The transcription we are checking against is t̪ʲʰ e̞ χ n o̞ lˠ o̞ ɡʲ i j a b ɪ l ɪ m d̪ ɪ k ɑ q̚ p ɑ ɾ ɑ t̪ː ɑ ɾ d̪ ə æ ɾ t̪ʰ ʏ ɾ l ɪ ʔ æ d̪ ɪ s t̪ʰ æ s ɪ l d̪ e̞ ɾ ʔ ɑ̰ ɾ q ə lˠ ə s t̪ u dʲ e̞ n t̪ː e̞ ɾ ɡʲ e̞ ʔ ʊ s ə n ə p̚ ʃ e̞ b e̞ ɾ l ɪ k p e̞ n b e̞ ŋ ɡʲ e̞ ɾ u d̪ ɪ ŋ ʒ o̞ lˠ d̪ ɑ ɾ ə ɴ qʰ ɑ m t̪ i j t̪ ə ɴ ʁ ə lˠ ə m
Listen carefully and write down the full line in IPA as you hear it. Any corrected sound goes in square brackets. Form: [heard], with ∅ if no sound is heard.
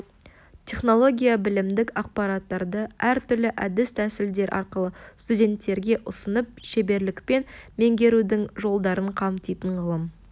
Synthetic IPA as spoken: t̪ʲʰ e̞ χ n o̞ lˠ o̞ ɡʲ i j a b ɪ l ɪ m d̪ ɪ k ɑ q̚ p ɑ ɾ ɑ t̪ː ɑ ɾ d̪ ə æ ɾ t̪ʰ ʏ ɾ l ɪ ʔ æ d̪ ɪ s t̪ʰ æ s ɪ l d̪ e̞ ɾ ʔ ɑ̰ ɾ q ə lˠ ə s t̪ u dʲ e̞ n t̪ː e̞ ɾ ɡʲ e̞ ʔ ʊ s ə n ə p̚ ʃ e̞ b e̞ ɾ l ɪ k p e̞ n [m] e̞ ŋ ɡʲ e̞ ɾ u d̪ ɪ ŋ ʒ o̞ lˠ d̪ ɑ ɾ ə ɴ qʰ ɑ m t̪ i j t̪ ə ɴ ʁ ə lˠ ə m